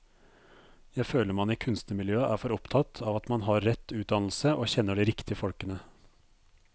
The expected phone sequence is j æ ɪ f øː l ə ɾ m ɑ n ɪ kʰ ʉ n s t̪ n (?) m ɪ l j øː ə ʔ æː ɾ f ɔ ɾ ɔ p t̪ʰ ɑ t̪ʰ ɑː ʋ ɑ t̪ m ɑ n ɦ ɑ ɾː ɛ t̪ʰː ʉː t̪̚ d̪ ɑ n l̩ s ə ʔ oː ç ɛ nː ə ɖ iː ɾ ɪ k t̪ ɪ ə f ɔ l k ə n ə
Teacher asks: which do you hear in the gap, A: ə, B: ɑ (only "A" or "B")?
A